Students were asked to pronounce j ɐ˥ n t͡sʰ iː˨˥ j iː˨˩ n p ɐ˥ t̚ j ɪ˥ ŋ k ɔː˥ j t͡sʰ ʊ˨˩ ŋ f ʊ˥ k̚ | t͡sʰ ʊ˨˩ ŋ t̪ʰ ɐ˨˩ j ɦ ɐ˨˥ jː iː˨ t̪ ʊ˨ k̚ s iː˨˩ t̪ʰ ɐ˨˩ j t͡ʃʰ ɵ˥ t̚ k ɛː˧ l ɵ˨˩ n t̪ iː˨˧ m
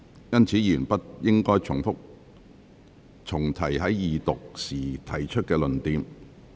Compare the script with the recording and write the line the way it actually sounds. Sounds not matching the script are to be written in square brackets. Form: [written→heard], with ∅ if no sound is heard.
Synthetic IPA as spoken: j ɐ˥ n t͡sʰ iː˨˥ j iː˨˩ n p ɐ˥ t̚ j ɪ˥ ŋ k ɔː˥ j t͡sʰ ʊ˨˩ ŋ f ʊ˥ k̚ | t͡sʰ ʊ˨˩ ŋ t̪ʰ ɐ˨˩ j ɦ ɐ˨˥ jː iː˨ t̪ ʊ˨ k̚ s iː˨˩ t̪ʰ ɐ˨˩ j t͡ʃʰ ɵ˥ t̚ k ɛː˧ l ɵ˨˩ n t̪ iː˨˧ m